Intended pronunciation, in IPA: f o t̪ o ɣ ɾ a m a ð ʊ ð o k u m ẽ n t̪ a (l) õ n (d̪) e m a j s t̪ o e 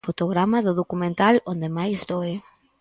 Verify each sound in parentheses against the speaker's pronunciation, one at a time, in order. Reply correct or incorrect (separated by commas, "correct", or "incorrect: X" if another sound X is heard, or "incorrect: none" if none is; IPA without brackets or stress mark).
correct, correct